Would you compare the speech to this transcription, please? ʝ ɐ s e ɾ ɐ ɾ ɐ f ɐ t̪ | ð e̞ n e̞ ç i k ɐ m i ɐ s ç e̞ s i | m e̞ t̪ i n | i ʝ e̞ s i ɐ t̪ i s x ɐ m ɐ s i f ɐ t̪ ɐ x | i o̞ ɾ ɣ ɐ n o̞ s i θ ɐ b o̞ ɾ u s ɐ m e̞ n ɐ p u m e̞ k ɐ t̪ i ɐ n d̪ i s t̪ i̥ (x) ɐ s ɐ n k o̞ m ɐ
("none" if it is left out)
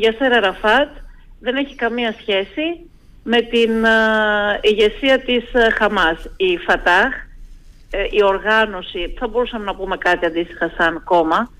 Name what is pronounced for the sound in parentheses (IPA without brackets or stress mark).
x